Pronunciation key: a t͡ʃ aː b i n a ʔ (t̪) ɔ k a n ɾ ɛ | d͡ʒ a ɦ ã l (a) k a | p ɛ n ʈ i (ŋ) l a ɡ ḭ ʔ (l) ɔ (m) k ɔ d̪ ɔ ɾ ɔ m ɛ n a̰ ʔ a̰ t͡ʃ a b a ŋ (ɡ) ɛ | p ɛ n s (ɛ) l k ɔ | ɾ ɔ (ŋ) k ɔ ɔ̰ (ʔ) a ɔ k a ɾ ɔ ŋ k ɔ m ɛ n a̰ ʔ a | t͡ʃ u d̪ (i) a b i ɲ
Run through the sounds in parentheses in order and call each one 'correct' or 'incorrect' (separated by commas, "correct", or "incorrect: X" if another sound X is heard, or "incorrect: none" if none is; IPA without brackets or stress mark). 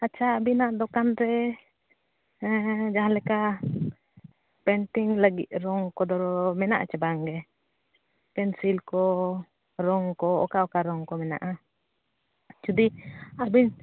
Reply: incorrect: d̪, incorrect: ɛ, correct, incorrect: ɾ, incorrect: ŋ, correct, incorrect: i, correct, incorrect: k, correct